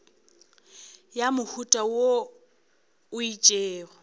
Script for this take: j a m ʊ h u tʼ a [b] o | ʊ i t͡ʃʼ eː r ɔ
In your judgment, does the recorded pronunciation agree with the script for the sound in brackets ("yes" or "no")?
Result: no